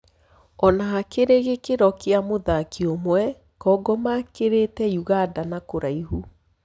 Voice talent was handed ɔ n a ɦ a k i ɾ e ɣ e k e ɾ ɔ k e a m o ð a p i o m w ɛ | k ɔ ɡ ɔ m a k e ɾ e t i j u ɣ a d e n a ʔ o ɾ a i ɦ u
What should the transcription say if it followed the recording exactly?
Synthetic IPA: ɔ n a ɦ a k e ɾ e ɣ e k e ɾ ɔ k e a m o ð a k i o m w ɛ | k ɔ ɡ ɔ m a k e ɾ e t ɛ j u ɣ a d a n a k o ɾ a i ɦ u